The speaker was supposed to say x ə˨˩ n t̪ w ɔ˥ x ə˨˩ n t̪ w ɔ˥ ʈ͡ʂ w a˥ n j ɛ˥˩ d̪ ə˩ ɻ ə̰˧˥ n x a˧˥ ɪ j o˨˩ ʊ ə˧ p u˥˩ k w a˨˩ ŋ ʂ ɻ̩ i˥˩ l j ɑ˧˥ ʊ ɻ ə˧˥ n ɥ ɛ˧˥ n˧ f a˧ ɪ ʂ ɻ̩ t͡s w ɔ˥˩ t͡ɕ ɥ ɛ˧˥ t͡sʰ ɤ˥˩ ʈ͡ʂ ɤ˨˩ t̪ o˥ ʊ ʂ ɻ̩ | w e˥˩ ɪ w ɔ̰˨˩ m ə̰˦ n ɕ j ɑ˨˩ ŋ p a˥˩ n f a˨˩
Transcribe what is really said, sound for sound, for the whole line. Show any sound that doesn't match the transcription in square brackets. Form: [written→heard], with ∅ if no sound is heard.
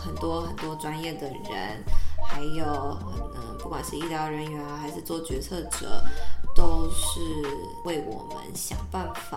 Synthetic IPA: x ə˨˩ n t̪ w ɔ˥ x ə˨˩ n t̪ w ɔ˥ ʈ͡ʂ w a˥ n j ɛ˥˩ d̪ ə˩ ɻ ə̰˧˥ n x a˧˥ ɪ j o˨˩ ʊ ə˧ p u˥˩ k w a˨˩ [ŋ→n] ʂ ɻ̩ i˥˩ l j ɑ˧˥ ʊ ɻ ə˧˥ n ɥ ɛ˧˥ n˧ [f→x] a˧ ɪ ʂ ɻ̩ t͡s w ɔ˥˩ t͡ɕ ɥ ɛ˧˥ t͡sʰ ɤ˥˩ ʈ͡ʂ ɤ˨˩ t̪ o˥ ʊ ʂ ɻ̩ | w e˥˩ ɪ w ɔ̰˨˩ m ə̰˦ n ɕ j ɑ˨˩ ŋ p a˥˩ n f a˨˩